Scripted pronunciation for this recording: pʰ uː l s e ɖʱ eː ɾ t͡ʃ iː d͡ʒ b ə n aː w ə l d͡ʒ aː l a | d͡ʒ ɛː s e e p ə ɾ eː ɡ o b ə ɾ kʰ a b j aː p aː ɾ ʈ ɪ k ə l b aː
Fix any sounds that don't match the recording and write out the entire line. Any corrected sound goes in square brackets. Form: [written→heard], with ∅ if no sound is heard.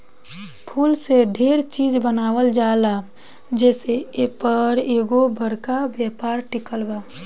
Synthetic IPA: pʰ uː l s e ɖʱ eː ɾ t͡ʃ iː d͡ʒ b ə n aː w ə l d͡ʒ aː l a | d͡ʒ ɛː s e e p ə ɾ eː ɡ o b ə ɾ [kʰ→k] a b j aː p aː ɾ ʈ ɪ k ə l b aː